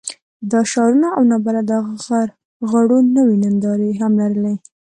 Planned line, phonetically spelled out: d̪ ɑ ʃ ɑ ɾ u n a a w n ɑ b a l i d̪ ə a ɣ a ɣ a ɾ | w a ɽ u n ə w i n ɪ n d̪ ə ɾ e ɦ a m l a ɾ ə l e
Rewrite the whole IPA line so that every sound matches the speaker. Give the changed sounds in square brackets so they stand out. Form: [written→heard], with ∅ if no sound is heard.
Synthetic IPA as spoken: d̪ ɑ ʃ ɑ ɾ u n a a w n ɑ b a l [i→a] d̪ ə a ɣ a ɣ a ɾ | [w→ɣ] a ɽ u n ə w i n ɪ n d̪ [ə→ɑ] ɾ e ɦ a m l a ɾ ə l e